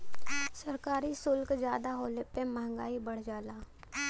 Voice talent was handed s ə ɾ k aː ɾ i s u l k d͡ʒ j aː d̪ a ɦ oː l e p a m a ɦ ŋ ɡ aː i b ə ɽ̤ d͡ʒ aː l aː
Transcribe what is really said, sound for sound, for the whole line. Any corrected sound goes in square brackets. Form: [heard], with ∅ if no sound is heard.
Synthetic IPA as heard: s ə ɾ k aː ɾ i s [ʊ] l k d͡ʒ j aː d̪ a ɦ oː l e p [e] m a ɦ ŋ ɡ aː i b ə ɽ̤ d͡ʒ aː l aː